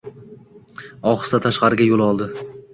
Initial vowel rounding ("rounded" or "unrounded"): rounded